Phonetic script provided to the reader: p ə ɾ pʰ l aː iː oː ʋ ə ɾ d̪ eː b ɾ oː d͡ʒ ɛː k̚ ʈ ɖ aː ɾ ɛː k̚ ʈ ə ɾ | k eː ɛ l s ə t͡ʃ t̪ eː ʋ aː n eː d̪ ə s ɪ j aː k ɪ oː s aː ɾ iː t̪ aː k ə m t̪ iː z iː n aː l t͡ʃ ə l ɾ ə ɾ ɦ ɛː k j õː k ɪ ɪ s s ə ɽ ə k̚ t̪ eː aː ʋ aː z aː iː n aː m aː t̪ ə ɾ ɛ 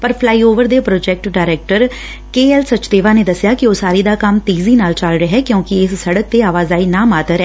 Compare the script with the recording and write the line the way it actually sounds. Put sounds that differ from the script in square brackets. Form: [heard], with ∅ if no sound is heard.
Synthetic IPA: p ə ɾ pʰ l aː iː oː ʋ ə ɾ d̪ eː [p] ɾ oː d͡ʒ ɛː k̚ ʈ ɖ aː ɾ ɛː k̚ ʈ ə ɾ | k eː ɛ l s ə t͡ʃ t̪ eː ʋ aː n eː d̪ ə s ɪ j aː k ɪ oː s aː ɾ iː [d̪] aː k ə m t̪ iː z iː n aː l t͡ʃ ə l ɾ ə [∅] ɦ ɛː k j õː k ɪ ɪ s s ə ɽ ə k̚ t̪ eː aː ʋ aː z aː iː n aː m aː t̪ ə ɾ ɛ